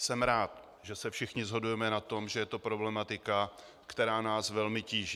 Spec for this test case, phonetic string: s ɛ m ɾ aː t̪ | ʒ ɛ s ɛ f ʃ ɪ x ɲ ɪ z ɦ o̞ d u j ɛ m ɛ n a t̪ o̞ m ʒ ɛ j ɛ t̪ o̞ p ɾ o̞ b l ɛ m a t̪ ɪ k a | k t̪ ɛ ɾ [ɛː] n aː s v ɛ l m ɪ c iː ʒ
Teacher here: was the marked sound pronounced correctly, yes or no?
no